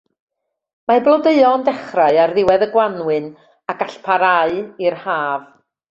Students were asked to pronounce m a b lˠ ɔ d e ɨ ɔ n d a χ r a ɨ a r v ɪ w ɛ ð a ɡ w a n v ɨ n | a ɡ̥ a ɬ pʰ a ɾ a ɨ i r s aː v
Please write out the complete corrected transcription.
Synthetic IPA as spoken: m a b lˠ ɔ d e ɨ ɔ n d ɛ χ r a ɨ a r ð ɪ w ɛ ð ə ɡ w a n w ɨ n | a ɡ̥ a ɬ pʰ a ɾ a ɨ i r h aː v